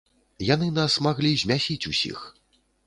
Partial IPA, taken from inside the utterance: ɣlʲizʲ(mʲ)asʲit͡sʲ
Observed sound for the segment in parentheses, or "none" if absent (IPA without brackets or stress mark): mʲ